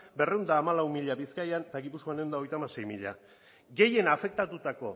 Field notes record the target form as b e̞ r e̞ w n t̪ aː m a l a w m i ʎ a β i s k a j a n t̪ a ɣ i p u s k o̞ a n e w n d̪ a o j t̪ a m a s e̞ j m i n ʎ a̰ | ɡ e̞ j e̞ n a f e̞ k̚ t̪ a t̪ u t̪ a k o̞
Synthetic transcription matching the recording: b e̞ r e̞ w n d̪ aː m a l a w m i ʎ a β i s k a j a n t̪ a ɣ i p u s k o̞ a n e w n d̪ a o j t̪ a m a s e̞ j m i ʎ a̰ | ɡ e̞ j e̞ n a f e̞ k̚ t̪ a t̪ u t̪ a k o̞

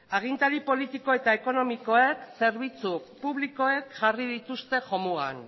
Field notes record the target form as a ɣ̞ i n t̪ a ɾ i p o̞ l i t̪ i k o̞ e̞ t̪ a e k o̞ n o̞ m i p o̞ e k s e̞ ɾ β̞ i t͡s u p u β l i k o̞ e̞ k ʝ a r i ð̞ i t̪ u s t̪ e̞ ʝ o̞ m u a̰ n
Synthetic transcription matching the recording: a ɣ̞ i n t̪ a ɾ i p o̞ l i t̪ i k o̞ e̞ t̪ a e k o̞ n o̞ m i k o̞ e k s e̞ ɾ β̞ i t͡s u p u β l i k o̞ e̞ k ʝ a r i ð̞ i t̪ u s t̪ e̞ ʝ o̞ m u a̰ n

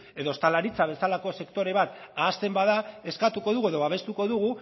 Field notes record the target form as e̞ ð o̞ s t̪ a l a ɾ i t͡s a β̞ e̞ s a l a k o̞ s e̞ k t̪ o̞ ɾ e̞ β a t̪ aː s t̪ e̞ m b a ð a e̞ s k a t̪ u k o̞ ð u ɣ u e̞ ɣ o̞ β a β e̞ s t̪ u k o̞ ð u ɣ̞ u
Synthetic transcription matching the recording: e̞ ð o̞ s t̪ a l a ɾ i t͡s a β̞ e̞ s a l a k o̞ s e̞ k t̪ o̞ ɾ e̞ β a t̪ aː s t̪ e̞ m b a ð a e̞ s k a t̪ u k o̞ ð u ɣ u e̞ ð o̞ β a β e̞ s t̪ u k o̞ ð u ɣ̞ u

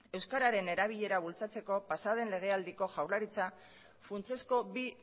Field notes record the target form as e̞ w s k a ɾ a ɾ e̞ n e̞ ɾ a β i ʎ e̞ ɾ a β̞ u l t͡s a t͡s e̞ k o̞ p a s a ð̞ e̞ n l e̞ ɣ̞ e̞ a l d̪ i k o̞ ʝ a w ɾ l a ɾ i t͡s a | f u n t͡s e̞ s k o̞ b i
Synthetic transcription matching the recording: e̞ w s k a ɾ a ɾ e̞ n e̞ ɾ a β i ʎ e̞ ɾ a β̞ u l t͡s a t͡s e̞ k o̞ p a s a ð̞ e̞ n l e̞ ɣ̞ e̞ a l d̪ i k o̞ ʝ a w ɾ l a ɾ i t͡s a | f u n t͡s e̞ s k o̞ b i

